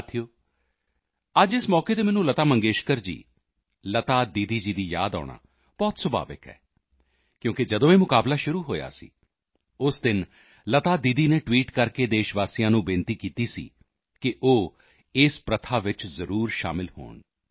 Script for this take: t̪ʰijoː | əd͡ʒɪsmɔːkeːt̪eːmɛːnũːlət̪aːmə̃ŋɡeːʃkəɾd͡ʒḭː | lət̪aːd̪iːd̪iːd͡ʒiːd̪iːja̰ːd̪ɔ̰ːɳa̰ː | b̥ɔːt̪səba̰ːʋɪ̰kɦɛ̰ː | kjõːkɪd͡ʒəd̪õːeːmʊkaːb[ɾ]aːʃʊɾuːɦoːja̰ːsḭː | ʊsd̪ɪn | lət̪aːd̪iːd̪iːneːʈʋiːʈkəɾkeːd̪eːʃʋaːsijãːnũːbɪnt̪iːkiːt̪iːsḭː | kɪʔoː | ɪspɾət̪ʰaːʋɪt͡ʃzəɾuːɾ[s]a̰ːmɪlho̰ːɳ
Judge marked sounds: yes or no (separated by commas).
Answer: no, no